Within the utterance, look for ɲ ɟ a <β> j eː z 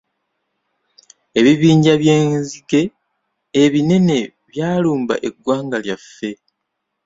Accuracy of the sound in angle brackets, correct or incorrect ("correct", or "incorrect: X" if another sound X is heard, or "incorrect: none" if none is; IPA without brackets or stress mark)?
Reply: correct